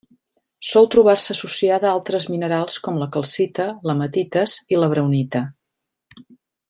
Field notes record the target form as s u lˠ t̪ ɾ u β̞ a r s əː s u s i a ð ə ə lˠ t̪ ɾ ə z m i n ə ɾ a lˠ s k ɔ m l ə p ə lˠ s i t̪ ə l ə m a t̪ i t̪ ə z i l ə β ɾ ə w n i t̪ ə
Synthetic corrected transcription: s ɔ lˠ t̪ ɾ u β̞ a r s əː s u s i a ð ə a lˠ t̪ ɾ ə z m i n ə ɾ a lˠ s k ɔ m l ə k ə lˠ s i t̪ ə l ə m ə t̪ i t̪ ə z i l ə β ɾ ə w n i t̪ ə